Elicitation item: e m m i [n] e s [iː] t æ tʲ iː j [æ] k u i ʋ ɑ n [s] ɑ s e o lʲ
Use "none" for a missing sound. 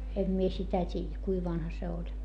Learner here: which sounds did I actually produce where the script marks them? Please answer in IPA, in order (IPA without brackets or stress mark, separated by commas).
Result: none, i, æ, h